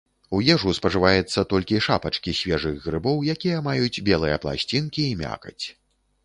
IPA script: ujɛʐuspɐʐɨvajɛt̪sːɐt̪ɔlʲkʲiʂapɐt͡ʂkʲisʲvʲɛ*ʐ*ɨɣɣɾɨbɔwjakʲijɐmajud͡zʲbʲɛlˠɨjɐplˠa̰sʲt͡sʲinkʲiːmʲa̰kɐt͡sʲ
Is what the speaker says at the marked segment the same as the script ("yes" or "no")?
yes